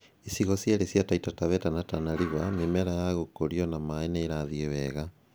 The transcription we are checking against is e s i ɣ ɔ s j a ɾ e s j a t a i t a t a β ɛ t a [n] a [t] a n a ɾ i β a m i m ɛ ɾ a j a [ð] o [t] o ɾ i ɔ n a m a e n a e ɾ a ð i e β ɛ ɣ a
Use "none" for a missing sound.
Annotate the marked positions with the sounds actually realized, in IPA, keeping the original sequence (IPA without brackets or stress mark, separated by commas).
n, t, ɣ, k